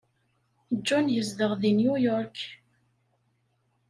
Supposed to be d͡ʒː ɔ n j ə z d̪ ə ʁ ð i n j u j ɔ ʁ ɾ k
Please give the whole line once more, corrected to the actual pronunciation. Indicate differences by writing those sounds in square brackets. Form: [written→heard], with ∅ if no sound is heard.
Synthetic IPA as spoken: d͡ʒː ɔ n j ə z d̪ ə ʁ ð i n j u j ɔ [ʁ→∅] ɾ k